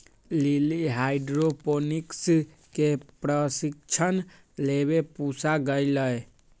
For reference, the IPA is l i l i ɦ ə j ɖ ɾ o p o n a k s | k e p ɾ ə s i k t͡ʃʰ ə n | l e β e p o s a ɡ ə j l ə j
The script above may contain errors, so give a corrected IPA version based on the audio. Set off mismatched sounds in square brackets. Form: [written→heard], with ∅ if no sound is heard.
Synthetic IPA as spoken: l i l i ɦ [ə→a] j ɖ ɾ o p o n [a→i] k s | k e p ɾ ə s i k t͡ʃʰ ə n | l e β e p [o→u] s a ɡ ə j l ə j

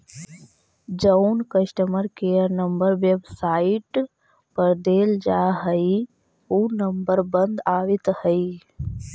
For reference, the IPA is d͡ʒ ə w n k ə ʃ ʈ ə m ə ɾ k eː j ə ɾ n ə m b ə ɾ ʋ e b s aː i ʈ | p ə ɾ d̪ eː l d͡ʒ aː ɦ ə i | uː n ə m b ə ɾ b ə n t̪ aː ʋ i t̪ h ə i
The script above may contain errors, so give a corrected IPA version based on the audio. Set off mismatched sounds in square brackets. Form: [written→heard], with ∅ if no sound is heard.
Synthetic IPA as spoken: d͡ʒ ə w n k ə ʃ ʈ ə m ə ɾ k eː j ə ɾ n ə m b ə ɾ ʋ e b s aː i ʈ | p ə ɾ d̪ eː l d͡ʒ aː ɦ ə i | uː n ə m b ə ɾ b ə n [t̪→d̪] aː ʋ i t̪ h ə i

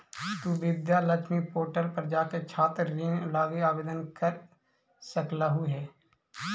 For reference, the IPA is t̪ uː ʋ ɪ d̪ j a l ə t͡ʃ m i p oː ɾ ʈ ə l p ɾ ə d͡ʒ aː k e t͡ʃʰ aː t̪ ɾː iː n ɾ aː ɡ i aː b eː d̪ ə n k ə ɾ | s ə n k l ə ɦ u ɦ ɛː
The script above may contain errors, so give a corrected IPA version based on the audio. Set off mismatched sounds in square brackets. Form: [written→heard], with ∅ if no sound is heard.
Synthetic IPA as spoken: t̪ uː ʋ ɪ d̪ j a l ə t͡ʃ m i p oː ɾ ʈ ə l p ɾ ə d͡ʒ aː k e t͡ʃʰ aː t̪ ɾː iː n [ɾ→l] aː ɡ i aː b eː d̪ ə n k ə ɾ | s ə [n→∅] k l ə ɦ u ɦ ɛː

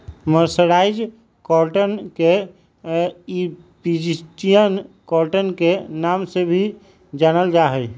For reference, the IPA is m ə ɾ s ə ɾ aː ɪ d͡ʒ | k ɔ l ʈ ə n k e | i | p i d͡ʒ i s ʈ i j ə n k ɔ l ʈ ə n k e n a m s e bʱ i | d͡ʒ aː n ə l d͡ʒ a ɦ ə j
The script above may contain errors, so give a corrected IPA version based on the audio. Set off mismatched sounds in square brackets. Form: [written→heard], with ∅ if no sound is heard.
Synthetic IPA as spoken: m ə ɾ s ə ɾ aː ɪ d͡ʒ | k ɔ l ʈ ə n k e | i | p i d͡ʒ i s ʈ i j ə n k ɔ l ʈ ə n k e n a m s e bʱ i | d͡ʒ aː n ə l d͡ʒ a ɦ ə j

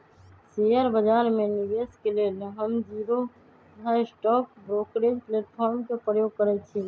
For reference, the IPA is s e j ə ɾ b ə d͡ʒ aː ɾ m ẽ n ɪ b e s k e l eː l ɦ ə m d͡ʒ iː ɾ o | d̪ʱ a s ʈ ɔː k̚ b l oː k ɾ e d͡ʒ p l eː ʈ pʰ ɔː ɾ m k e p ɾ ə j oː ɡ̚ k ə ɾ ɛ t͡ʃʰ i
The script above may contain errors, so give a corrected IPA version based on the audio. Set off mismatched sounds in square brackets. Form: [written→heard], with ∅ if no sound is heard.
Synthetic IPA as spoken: s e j ə ɾ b ə d͡ʒ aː ɾ m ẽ n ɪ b e s k e l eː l ɦ ə m d͡ʒ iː ɾ o | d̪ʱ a s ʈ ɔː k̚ b [l→ɾ] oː k ɾ e d͡ʒ p l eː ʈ pʰ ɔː ɾ m k e p ɾ ə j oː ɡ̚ k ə ɾ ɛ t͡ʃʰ i

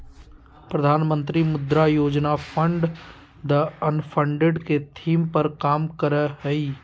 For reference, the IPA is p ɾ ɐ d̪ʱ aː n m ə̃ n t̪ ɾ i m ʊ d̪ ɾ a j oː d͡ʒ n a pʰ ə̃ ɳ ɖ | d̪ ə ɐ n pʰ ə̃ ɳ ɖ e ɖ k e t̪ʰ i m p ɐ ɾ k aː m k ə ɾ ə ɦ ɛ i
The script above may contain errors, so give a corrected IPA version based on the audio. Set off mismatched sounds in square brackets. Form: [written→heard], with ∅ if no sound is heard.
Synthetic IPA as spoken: p ɾ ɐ d̪ʱ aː n m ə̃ n t̪ ɾ i m ʊ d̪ ɾ a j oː d͡ʒ n a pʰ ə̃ ɳ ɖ | d̪ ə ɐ n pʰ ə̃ ɳ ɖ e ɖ k e t̪ʰ [i→iː] m p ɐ ɾ k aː m k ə ɾ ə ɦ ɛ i

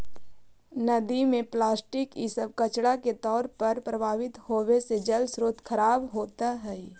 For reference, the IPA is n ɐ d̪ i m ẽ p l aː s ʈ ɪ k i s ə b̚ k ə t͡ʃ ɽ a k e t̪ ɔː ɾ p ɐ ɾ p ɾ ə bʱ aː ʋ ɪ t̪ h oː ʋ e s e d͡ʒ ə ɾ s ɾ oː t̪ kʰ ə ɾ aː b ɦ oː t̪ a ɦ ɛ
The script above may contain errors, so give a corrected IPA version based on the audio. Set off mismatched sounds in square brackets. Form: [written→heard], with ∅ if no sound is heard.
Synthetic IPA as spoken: n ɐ d̪ i m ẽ p l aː s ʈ ɪ k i s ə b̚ k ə t͡ʃ ɽ a k e t̪ ɔː ɾ p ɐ ɾ p ɾ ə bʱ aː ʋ ɪ t̪ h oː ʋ e s e d͡ʒ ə [ɾ→l] s ɾ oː t̪ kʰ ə ɾ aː b ɦ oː t̪ a ɦ ɛ

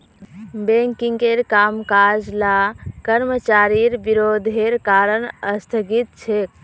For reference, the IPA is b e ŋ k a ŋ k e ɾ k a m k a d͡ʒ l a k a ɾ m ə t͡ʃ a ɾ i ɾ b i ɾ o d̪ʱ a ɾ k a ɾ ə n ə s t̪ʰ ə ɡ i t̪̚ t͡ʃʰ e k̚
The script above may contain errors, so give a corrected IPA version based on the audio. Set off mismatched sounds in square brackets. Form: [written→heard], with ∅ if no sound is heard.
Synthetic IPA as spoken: b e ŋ k [a→i] ŋ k e ɾ k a m k a d͡ʒ l a k [a→ə] ɾ m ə t͡ʃ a ɾ i ɾ b i ɾ o d̪ʱ [a→e] ɾ k a ɾ ə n ə s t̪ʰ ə ɡ i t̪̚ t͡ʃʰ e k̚

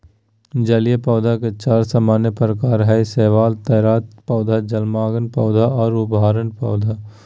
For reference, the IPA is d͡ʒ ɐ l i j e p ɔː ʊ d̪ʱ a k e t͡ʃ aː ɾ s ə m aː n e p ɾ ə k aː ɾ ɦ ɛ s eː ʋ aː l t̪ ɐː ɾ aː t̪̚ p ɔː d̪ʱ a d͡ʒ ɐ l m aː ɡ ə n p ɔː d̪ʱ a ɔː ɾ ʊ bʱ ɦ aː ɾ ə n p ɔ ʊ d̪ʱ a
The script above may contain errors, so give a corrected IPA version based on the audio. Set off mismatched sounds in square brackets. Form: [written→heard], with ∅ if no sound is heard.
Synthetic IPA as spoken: d͡ʒ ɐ l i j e p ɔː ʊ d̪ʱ a k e t͡ʃ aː ɾ s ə m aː n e p ɾ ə k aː ɾ ɦ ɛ s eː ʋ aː l t̪ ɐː ɾ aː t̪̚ p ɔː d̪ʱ a d͡ʒ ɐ l m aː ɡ ə n p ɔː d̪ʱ a ɔː ɾ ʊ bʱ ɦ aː ɾ ə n p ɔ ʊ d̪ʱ a

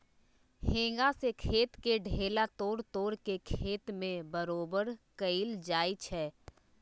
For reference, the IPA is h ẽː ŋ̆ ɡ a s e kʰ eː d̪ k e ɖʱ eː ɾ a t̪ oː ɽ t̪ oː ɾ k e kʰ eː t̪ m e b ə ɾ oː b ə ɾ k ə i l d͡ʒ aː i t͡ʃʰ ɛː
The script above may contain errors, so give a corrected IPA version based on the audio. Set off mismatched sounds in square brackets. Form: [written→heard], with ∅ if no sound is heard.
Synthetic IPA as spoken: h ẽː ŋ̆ ɡ a s e kʰ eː [d̪→t̪] k e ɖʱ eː [ɾ→l] a t̪ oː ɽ t̪ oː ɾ k e kʰ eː t̪ m [e→ẽ] b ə ɾ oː b ə ɾ k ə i l d͡ʒ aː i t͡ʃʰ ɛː

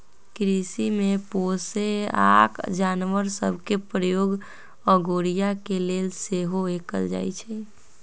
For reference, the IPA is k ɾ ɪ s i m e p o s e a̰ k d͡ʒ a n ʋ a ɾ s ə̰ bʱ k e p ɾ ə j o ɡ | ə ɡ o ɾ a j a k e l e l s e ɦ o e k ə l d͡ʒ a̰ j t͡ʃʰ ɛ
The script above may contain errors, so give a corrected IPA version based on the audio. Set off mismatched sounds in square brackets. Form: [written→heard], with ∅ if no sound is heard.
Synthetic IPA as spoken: k ɾ [ɪ→i] s i m e p o s e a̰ k d͡ʒ a n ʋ [a→ə] ɾ s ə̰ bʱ k e p ɾ ə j o ɡ | ə ɡ o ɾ [a→i] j a k e l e l s e ɦ o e k ə l d͡ʒ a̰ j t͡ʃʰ ɛ

